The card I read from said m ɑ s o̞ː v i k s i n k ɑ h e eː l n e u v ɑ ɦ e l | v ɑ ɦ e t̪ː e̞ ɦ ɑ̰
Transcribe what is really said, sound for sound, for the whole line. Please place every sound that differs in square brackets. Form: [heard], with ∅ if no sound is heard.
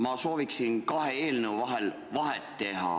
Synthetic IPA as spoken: m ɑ s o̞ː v i k s i n k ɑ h e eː l n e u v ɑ ɦ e l | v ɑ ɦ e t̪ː e̞ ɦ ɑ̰